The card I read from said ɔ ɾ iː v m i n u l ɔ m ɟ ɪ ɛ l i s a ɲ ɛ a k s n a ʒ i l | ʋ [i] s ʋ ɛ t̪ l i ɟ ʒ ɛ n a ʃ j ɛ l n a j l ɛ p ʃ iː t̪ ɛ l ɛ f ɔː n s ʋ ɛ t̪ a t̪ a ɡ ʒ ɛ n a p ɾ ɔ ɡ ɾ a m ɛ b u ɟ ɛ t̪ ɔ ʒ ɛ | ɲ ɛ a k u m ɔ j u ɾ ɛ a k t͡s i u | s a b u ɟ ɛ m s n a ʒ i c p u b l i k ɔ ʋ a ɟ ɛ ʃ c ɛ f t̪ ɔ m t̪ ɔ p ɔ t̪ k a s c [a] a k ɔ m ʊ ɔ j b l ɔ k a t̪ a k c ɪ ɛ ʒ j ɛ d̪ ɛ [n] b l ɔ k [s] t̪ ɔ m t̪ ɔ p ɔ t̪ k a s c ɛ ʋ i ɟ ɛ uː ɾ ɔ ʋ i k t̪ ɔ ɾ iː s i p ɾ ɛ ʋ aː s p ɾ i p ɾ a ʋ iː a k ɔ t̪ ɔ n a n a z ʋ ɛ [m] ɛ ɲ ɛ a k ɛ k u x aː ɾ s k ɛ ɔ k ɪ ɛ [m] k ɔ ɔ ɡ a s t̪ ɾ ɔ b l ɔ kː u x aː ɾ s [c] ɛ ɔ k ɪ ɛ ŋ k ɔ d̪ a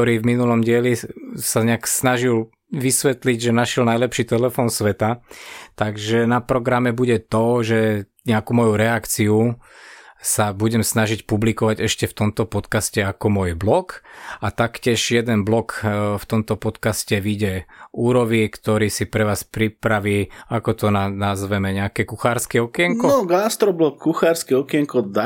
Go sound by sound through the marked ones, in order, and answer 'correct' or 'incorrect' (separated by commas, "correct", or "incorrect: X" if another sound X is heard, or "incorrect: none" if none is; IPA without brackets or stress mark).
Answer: correct, incorrect: ɛ, correct, incorrect: f, correct, incorrect: ŋ, incorrect: k